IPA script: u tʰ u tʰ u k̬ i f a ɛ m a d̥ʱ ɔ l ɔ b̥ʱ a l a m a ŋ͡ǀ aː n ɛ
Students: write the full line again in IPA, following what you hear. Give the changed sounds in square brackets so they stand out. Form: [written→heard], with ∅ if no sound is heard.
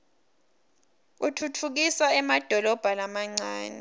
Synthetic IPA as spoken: u tʰ u tʰ u k̬ i [f→s] a ɛ m a d̥ʱ ɔ l ɔ b̥ʱ a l a m a ŋ͡ǀ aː n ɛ